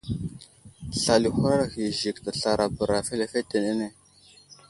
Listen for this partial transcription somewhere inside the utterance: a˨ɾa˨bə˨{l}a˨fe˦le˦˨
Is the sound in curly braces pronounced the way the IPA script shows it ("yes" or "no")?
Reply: no